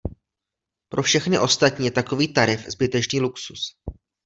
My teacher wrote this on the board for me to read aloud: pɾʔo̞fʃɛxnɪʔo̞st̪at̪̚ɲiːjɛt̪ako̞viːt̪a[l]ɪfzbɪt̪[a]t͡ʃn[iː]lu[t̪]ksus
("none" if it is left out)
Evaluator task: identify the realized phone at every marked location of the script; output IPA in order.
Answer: ɾ, ɛ, iː, none

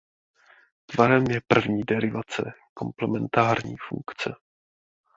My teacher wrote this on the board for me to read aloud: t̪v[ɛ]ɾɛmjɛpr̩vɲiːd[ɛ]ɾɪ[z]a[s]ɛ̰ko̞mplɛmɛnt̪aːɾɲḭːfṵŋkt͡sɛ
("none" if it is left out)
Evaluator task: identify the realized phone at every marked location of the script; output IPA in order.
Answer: a, ɛ, v, t͡s

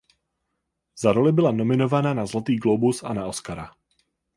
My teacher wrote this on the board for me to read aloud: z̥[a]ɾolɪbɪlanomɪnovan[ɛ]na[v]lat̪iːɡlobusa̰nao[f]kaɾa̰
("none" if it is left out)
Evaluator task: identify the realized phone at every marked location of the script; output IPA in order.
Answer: a, a, z, s

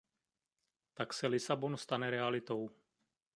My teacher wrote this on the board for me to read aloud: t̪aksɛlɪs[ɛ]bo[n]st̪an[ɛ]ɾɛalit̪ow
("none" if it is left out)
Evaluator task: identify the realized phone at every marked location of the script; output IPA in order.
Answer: a, n, ɛ

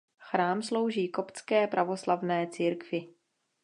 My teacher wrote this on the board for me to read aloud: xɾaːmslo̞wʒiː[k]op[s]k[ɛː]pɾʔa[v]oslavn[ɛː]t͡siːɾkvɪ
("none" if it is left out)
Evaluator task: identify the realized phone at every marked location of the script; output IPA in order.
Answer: k, t͡s, ɛː, v, ɛː

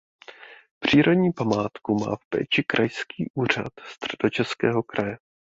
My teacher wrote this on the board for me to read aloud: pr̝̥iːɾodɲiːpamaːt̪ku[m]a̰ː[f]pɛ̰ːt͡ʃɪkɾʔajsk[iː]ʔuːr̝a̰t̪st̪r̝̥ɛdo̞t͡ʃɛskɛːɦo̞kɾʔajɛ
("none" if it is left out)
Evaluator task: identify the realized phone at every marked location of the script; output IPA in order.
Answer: m, f, iː

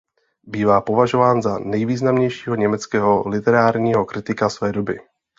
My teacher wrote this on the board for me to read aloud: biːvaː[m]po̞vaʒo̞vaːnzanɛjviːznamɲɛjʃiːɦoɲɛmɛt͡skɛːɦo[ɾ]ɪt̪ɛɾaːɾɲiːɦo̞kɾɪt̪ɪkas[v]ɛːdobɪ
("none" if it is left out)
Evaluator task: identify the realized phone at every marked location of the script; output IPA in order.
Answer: none, l, v

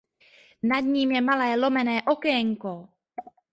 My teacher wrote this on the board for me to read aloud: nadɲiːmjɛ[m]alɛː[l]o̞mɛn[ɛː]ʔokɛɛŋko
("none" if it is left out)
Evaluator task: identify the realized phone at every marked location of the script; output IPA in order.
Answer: m, l, ɛː

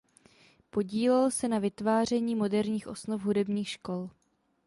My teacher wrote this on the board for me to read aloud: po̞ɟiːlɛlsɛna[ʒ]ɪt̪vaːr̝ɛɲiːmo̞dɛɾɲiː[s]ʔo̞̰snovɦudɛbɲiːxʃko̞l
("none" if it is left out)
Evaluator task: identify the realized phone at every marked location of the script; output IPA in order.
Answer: v, x

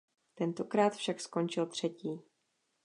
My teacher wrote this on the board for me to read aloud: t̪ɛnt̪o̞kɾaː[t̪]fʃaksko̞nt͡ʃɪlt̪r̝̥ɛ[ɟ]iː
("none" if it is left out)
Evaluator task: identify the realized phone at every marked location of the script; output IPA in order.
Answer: t̪, c

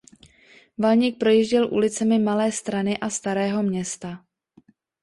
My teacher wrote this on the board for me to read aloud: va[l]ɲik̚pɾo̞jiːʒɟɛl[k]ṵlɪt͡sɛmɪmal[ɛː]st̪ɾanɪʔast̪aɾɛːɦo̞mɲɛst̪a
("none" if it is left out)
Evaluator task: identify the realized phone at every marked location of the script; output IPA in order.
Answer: l, ʔ, ɛː

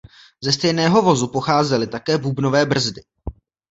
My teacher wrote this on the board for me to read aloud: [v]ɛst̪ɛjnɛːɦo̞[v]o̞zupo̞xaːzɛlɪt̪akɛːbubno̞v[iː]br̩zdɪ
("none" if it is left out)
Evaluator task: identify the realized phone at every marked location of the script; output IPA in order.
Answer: z, v, ɛː

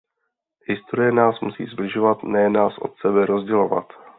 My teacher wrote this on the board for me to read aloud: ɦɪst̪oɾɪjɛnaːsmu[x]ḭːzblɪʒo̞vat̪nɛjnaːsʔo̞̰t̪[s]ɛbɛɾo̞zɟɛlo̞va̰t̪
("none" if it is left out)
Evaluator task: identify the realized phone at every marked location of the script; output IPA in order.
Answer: s, s

